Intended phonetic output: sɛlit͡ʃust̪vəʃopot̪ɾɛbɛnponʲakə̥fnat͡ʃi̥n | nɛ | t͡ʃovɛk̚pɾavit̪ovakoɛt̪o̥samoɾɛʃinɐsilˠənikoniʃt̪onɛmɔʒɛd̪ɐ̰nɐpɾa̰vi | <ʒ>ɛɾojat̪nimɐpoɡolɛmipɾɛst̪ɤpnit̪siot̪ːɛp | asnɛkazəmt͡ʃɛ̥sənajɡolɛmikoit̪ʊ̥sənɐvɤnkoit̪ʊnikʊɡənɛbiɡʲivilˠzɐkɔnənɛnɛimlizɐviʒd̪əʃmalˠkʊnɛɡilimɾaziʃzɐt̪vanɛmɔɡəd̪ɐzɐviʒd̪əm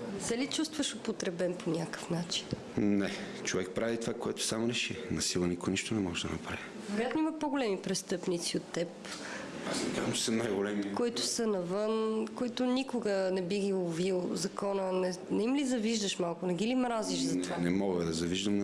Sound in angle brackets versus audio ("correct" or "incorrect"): incorrect